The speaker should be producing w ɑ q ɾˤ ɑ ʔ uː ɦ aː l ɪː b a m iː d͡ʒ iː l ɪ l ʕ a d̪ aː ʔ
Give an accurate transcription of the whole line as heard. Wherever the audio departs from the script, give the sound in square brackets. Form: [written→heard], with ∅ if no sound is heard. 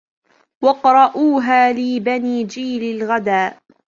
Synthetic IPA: w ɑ q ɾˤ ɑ ʔ uː ɦ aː l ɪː b a [m→n] iː d͡ʒ iː l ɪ l [ʕ→ɣ] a d̪ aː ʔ